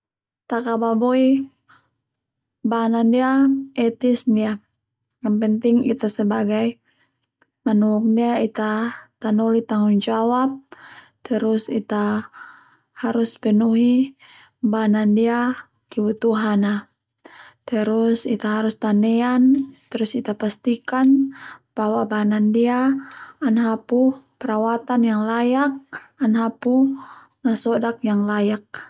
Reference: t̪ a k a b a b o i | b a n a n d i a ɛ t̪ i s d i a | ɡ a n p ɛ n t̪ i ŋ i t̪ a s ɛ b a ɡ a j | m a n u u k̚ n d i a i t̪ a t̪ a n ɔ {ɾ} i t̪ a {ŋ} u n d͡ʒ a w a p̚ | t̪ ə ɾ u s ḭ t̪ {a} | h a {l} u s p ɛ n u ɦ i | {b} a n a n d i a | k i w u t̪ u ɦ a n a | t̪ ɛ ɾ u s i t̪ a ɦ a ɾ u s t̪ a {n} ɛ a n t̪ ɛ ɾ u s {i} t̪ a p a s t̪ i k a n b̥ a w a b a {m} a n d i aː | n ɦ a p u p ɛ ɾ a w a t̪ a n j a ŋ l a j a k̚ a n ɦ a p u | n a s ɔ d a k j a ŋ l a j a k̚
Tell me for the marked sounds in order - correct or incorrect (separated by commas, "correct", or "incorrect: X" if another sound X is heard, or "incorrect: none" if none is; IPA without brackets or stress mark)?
incorrect: l, correct, correct, incorrect: ɾ, correct, correct, correct, incorrect: n